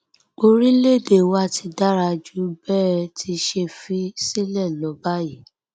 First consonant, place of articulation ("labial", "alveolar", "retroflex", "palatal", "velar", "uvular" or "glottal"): alveolar